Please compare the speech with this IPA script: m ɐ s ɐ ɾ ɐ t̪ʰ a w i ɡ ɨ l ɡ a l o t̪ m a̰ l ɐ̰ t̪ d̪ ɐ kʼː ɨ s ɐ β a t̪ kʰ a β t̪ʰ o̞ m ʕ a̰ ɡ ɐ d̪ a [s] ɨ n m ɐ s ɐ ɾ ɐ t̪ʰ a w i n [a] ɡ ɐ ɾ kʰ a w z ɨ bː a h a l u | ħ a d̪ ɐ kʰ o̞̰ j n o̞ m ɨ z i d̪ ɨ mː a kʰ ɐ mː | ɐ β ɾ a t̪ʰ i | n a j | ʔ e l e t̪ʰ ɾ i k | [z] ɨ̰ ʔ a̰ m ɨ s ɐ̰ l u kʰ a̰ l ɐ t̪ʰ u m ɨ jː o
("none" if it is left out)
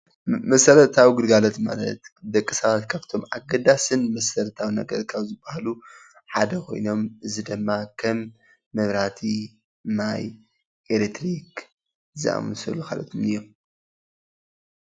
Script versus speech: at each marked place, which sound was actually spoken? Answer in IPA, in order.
s, ɐ, z

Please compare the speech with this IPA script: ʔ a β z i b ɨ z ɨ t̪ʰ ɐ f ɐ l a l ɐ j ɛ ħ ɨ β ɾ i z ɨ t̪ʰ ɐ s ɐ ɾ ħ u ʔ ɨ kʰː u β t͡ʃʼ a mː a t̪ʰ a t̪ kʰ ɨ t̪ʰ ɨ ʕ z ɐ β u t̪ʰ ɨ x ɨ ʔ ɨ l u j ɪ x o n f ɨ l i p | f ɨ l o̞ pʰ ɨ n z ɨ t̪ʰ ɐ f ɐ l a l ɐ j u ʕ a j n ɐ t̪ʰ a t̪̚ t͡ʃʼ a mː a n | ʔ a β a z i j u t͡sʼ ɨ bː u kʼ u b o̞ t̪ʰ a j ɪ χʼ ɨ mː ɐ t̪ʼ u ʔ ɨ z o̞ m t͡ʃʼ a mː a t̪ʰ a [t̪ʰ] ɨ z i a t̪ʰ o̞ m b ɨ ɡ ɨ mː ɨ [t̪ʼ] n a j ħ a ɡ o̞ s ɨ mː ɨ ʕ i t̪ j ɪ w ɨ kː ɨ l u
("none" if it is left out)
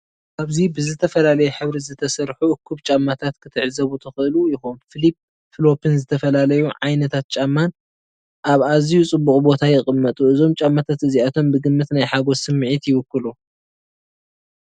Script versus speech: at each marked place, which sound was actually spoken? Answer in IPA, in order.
t̪, t̪

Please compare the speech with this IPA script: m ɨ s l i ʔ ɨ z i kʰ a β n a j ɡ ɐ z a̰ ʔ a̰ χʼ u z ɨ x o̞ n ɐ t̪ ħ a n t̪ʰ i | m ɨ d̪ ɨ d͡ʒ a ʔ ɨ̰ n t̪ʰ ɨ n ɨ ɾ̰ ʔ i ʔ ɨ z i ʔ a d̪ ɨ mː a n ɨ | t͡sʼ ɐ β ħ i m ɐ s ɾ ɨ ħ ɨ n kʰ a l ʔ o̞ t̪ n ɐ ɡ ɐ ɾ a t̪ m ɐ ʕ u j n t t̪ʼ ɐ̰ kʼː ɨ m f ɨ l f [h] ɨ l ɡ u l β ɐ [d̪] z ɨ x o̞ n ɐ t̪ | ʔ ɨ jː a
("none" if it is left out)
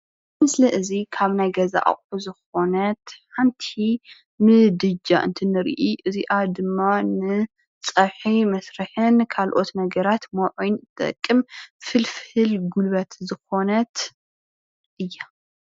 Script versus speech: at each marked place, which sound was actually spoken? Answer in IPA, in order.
h, t̪

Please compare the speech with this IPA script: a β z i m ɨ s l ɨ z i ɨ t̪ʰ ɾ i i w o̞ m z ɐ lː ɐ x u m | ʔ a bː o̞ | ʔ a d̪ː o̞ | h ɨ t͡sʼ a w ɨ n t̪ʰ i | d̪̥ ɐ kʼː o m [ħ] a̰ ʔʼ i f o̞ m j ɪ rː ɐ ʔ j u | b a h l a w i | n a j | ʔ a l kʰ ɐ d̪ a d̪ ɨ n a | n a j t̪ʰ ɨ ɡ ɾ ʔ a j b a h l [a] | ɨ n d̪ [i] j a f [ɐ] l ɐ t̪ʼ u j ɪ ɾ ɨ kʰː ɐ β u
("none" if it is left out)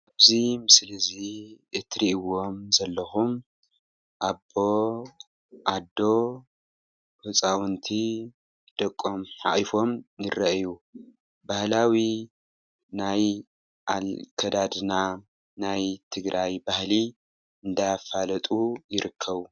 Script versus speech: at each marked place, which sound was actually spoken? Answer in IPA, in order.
ħ, i, a, a

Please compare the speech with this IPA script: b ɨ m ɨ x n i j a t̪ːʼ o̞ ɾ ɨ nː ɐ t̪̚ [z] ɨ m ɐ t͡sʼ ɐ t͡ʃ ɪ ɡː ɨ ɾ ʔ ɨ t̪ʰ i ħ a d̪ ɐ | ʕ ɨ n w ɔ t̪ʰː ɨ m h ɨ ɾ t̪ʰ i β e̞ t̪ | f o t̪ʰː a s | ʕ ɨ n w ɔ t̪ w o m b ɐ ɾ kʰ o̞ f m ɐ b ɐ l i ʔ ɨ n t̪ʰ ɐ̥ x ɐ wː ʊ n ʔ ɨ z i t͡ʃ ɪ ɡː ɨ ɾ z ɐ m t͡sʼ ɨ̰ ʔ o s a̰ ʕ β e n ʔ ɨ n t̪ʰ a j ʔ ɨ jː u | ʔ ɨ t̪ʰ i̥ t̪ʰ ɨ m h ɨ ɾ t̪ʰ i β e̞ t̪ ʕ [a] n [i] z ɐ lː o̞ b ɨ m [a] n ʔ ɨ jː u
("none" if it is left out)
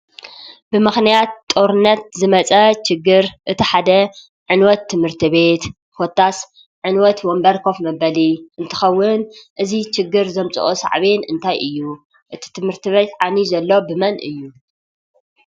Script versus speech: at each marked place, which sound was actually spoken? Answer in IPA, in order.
z, a, i, ɐ

